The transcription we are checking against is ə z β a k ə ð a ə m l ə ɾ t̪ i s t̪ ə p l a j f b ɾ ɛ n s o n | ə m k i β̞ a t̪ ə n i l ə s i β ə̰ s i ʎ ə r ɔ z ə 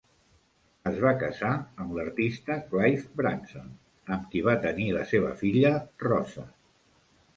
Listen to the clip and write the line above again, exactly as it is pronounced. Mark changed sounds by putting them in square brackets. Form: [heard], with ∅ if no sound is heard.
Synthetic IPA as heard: ə z β a k ə [z] a ə m l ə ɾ t̪ i s t̪ ə [k] l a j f b ɾ [a] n s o n | ə m k i β̞ a t̪ ə n i l ə s [e] β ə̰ [f] i ʎ ə r ɔ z ə